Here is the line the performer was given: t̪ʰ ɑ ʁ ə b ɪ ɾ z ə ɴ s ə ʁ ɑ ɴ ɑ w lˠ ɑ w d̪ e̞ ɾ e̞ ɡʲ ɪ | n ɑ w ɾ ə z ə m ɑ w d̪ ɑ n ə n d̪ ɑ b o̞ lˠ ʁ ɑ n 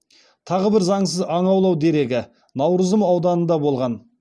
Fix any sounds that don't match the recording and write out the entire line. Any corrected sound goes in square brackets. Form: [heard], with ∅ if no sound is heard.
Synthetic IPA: t̪ʰ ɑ ʁ ə b ɪ ɾ z [ɑ] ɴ s ə [z] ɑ ɴ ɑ w lˠ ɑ w d̪ e̞ ɾ e̞ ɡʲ ɪ | n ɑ w ɾ ə z ə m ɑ w d̪ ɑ n ə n d̪ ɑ b o̞ lˠ ʁ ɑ n